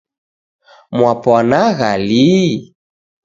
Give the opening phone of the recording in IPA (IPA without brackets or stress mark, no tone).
m